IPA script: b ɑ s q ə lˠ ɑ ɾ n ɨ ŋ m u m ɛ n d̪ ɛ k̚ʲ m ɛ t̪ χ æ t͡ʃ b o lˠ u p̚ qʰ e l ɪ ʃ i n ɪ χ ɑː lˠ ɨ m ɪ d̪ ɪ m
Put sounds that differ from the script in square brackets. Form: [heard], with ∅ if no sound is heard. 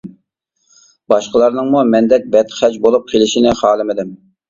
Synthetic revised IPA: b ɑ [ʃ] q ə lˠ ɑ ɾ n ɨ ŋ m u m ɛ n d̪ ɛ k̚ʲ [b] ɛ t̪ χ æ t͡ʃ b o lˠ u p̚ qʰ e l ɪ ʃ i n ɪ χ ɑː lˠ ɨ m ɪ d̪ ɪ m